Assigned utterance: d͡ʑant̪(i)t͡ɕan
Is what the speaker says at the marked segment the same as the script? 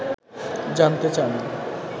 no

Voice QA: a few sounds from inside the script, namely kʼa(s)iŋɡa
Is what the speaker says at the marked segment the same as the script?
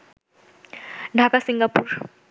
yes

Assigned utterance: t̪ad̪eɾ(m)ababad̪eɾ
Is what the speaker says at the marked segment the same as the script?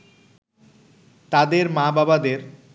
yes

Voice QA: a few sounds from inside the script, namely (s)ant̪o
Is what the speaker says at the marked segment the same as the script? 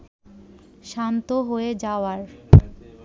no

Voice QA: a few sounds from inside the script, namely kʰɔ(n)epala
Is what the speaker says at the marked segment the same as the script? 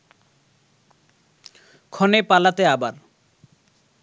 yes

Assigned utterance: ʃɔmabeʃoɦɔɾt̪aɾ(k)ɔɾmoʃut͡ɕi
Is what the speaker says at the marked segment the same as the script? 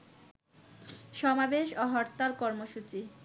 yes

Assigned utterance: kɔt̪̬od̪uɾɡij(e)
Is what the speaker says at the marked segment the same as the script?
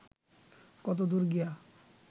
no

